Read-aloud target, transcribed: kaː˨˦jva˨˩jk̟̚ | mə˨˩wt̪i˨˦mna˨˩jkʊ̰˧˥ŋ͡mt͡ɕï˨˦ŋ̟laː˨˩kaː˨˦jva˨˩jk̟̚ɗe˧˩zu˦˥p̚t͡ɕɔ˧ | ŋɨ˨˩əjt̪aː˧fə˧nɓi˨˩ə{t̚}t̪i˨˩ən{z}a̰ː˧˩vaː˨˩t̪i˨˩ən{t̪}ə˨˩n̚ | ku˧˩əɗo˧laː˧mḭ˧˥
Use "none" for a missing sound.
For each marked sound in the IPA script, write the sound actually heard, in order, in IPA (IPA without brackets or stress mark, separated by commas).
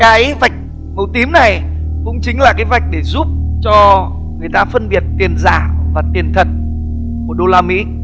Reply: t̚, z, t̪ʰ